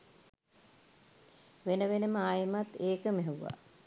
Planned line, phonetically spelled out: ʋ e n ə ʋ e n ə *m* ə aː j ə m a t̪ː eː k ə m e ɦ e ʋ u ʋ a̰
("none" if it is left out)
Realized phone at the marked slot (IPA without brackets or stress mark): m